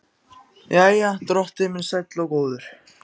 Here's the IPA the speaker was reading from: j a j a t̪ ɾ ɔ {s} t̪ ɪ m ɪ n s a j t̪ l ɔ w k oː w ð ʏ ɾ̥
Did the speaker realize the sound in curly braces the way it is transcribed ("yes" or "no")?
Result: no